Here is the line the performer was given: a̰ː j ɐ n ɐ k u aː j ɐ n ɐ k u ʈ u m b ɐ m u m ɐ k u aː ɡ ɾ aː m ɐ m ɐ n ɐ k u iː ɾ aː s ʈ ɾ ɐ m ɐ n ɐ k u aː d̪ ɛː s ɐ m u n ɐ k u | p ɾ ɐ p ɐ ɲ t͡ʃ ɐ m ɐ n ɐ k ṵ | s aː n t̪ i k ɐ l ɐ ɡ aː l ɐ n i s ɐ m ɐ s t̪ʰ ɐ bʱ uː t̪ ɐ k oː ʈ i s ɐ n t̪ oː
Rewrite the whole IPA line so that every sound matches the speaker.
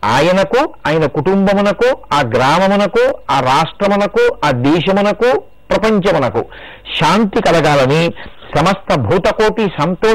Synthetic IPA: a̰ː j ɐ n ɐ k u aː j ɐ n ɐ k u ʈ u m b ɐ m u n ɐ k u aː ɡ ɾ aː m ɐ m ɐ n ɐ k u aː ɾ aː ʂ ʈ ɾ ɐ m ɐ n ɐ k u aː d̪ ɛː ʃ ɐ m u n ɐ k u | p ɾ ɐ p ɐ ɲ t͡ʃ ɐ m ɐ n ɐ k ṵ | ʃ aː n t̪ i k ɐ l ɐ ɡ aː l ɐ n i s ɐ m ɐ s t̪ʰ ɐ bʱ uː t̪ ɐ k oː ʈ i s ɐ n t̪ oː